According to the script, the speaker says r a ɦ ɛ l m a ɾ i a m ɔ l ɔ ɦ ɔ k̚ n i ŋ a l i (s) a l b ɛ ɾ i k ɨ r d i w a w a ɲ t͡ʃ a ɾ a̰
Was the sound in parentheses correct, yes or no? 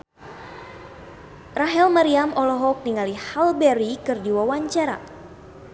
no